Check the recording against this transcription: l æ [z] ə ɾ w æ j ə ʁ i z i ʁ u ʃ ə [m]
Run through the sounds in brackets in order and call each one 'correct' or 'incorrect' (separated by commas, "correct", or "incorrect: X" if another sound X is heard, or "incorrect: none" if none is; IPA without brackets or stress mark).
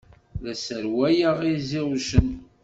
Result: incorrect: s, incorrect: n